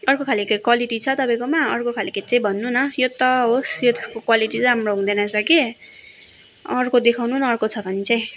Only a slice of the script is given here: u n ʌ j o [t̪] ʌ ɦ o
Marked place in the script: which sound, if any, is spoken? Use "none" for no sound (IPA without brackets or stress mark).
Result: t̪